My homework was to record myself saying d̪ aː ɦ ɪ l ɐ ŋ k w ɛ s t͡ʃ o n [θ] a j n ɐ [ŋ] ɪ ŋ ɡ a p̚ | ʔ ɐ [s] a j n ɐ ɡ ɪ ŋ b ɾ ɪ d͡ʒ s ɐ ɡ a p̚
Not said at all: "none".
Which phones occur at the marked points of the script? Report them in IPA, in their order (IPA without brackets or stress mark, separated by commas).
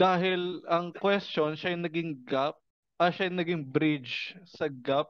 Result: ʃ, ɡ, ʃ